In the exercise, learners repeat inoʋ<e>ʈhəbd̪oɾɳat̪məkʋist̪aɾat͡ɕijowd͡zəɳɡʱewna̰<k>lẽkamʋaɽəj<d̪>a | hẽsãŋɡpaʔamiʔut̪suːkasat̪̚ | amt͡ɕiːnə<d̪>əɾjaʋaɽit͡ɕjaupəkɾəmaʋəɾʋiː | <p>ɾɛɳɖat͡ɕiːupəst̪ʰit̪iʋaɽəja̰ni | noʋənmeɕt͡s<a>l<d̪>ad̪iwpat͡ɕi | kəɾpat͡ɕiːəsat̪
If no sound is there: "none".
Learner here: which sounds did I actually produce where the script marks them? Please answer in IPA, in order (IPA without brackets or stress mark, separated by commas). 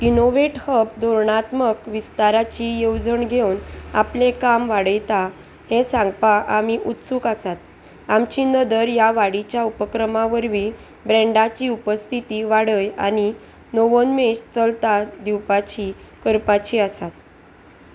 e, p, t̪, d̪, b, ə, t̪